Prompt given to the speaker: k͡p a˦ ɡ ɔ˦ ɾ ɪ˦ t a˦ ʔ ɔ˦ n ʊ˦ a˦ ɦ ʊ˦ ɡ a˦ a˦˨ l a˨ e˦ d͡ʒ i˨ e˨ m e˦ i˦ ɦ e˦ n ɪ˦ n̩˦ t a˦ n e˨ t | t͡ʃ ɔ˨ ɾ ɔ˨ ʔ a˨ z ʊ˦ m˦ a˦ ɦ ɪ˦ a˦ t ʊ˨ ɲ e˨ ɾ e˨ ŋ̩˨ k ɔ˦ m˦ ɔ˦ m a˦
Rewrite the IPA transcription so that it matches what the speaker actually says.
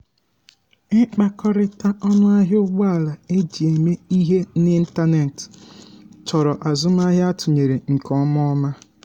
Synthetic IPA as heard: k͡p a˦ k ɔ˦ ɾ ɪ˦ t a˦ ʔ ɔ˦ n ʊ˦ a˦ ɦ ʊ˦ ɡ͡b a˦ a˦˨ l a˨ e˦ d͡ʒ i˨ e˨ m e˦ i˦ ɦ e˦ n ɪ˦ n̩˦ t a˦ n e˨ t | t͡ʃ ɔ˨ ɾ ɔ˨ ʔ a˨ z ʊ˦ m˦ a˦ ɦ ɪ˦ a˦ t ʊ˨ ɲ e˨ ɾ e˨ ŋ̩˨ k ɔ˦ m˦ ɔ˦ m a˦

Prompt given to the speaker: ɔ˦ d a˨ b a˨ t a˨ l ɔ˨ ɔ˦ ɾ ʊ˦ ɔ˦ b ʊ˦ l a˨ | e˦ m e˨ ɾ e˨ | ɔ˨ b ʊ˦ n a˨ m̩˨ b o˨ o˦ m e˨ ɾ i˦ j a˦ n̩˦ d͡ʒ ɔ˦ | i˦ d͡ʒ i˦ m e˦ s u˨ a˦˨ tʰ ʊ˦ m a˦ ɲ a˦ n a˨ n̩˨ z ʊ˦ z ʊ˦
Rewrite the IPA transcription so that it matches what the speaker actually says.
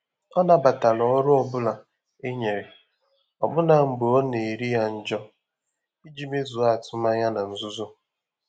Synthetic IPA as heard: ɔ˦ n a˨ b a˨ t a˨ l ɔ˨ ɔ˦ ɾ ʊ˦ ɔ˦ b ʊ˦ l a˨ | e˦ ɲ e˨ ɾ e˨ | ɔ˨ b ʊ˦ n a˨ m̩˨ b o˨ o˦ n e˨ ɾ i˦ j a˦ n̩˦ d͡ʒ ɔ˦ | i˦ d͡ʒ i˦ m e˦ z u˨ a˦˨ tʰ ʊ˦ m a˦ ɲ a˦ n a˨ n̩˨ z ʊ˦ z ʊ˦

